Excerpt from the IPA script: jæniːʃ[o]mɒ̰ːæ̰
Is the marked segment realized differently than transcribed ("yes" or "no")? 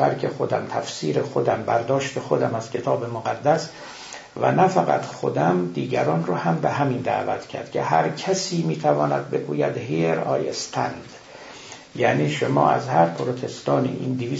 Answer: no